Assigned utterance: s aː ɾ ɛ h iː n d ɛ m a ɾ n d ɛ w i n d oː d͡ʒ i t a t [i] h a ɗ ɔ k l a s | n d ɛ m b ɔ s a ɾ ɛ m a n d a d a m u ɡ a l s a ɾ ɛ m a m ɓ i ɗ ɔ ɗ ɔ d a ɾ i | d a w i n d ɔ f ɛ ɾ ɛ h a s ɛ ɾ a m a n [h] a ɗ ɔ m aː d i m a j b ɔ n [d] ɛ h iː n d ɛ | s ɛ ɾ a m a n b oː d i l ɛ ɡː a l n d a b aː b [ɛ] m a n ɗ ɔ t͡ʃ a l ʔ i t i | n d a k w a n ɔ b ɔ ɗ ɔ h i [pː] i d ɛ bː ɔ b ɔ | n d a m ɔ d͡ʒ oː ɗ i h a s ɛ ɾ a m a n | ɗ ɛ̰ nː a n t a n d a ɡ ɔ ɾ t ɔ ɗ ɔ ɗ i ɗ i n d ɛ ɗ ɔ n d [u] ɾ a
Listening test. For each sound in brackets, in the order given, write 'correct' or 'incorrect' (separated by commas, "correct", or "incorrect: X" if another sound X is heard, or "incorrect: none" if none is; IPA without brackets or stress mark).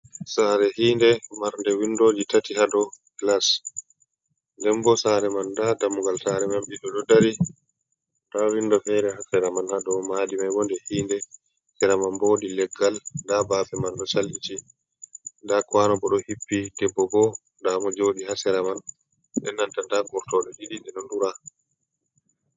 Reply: correct, correct, correct, correct, correct, correct